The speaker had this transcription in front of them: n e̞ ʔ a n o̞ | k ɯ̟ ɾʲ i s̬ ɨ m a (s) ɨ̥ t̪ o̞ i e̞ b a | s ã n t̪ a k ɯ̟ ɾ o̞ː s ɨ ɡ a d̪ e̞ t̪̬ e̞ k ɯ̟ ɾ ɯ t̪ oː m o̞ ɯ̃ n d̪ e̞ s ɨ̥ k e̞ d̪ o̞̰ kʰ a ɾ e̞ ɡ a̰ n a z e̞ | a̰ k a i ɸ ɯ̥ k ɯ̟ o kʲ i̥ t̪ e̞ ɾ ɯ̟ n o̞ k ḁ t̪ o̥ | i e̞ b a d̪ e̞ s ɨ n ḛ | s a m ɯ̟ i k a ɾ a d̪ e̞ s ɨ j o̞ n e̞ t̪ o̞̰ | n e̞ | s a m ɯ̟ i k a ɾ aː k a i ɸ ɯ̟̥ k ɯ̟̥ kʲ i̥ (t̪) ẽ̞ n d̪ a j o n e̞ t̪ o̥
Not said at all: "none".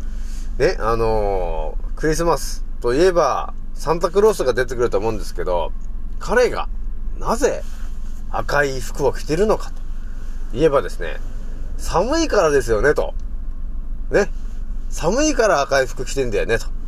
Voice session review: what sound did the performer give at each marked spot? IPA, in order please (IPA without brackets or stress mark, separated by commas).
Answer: s, t̪